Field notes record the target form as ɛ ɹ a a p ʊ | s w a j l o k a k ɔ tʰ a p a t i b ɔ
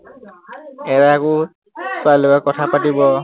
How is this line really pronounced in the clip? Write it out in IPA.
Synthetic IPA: ɛ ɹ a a k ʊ | s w a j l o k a k ɔ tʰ a p a t i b ɔ